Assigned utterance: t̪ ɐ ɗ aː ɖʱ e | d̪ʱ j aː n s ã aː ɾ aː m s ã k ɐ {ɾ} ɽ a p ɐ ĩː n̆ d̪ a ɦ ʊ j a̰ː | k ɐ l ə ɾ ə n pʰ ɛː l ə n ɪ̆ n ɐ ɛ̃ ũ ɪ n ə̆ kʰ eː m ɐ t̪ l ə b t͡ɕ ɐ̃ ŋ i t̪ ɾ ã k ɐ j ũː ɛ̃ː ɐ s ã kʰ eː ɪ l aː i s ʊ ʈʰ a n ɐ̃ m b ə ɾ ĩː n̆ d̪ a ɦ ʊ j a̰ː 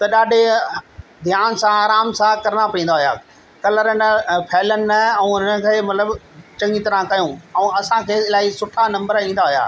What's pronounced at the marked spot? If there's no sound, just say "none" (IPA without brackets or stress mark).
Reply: ɾ